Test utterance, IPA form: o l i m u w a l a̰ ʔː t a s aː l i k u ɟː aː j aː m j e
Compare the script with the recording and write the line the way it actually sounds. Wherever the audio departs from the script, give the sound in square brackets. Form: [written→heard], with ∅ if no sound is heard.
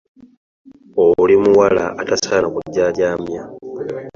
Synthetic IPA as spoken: o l i m u w a l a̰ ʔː t a s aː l [i→a] k u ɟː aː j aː m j [e→a]

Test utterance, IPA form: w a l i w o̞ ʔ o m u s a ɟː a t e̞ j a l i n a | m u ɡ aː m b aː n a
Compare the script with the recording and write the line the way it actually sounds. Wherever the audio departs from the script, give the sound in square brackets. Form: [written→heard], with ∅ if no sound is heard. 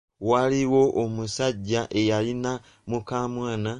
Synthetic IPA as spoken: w a l i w o̞ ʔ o m u s a ɟː a [t→ʔ] e̞ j a l i n a | m u [ɡ→k] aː m [b→w] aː n a

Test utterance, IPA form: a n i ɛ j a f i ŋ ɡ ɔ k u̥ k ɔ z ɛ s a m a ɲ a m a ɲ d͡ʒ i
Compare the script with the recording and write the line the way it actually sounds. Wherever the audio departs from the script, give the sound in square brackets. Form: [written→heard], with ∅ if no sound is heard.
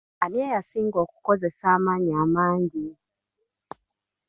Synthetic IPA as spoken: a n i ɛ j a [f→s] i ŋ ɡ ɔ k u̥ k ɔ z ɛ s a m a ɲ a m a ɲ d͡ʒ i

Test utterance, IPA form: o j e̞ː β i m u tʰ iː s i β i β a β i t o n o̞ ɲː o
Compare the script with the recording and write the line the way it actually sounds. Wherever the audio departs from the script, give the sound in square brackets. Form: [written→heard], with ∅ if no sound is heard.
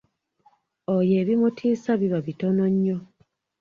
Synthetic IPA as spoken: o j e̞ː β i m u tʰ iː s [i→a] β i β a β i t o n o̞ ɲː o

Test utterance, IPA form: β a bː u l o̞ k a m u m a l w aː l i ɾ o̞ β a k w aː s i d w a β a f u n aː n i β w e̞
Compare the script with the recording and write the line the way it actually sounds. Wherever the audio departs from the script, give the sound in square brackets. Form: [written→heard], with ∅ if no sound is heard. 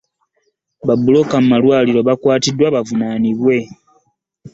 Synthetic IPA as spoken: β a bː u l o̞ k a m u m a l w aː l i ɾ o̞ β a k w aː [s→t] i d w a β a [f→v] u n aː n i β w e̞

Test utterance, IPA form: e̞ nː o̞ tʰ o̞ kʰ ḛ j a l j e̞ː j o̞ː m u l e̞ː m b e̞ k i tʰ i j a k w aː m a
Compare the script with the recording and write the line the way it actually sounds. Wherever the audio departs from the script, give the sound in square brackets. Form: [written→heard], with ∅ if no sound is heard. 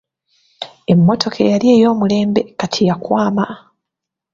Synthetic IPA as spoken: e̞ [nː→mː] o̞ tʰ o̞ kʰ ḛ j a l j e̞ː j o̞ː m u l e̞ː m b e̞ k [i→a] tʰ i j a k w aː m a

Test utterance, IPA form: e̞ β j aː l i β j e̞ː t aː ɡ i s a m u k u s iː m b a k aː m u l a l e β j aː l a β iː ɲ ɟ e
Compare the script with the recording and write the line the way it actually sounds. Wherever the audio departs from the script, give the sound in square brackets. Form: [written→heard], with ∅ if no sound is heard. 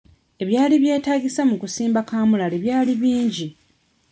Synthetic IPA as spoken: e̞ β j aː l i β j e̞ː t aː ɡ i s a m u k u s iː m b a k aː m u l a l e β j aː l [a→i] β iː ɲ ɟ [e→i]

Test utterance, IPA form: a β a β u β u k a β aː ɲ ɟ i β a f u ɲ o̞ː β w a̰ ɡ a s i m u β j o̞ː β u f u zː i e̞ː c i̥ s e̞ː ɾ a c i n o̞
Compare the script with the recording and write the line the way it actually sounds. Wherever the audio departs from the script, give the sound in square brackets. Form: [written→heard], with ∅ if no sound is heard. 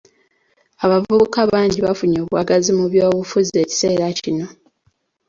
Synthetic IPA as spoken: a β a [β→v] u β u k a β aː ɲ ɟ i β a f u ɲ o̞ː β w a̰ ɡ a [s→z] i m u β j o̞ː β u f u [zː→z] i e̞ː c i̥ s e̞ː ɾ a c i n o̞

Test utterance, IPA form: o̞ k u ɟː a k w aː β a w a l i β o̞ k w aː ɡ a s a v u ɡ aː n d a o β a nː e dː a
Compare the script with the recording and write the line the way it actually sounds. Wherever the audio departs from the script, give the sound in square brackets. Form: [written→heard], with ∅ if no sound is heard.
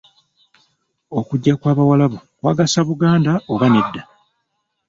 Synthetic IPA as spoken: o̞ k u ɟː a k w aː β a w a l [i→a] β o̞ k w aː ɡ a s a [v→β] u ɡ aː n d a o β a [nː→n] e dː a

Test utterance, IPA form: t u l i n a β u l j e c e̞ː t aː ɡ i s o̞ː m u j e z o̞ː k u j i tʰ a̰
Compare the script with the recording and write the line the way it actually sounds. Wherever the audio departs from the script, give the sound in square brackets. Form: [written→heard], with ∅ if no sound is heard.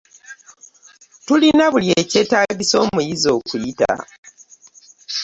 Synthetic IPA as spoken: t u l i n a β u l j e c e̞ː t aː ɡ i s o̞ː m u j [e→i] z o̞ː k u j i [tʰ→t] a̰

